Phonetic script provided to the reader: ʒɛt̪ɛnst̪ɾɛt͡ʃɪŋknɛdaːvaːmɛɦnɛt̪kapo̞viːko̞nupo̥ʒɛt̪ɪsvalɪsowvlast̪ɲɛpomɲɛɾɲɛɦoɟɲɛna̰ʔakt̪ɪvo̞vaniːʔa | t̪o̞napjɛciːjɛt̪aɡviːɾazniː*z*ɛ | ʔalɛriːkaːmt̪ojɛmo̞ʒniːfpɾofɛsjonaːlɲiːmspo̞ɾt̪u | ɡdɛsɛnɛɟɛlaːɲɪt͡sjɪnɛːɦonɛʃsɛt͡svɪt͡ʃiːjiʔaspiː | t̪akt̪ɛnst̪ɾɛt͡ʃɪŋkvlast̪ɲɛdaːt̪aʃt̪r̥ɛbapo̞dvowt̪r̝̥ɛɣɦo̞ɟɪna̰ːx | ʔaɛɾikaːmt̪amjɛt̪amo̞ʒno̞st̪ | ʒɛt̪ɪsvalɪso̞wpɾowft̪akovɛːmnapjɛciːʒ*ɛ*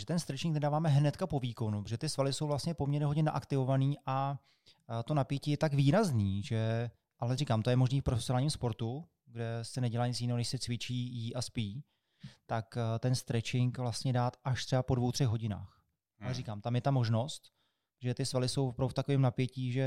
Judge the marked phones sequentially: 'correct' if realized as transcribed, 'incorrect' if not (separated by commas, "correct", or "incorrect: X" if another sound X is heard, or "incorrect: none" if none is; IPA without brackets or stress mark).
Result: incorrect: ʒ, correct